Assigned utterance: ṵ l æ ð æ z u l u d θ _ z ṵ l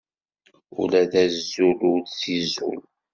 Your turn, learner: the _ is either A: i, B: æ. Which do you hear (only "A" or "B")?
A